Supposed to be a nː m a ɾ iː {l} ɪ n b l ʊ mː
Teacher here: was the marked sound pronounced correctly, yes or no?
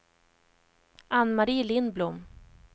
yes